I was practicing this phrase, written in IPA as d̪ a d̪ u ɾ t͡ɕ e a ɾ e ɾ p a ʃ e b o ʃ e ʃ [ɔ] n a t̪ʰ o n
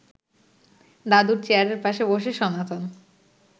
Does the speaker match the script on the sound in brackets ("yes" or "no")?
yes